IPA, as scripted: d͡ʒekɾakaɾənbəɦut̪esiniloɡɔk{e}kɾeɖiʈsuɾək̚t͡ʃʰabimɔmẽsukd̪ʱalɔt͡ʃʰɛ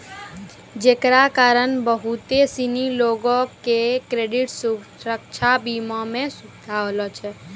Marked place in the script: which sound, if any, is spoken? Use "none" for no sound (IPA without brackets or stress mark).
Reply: e